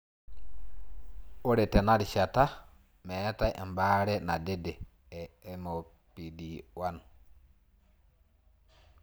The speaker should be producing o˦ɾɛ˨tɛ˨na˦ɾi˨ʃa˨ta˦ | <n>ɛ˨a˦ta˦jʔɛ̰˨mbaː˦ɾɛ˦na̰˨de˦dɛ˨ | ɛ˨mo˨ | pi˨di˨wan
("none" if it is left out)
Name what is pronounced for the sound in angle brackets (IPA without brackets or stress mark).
m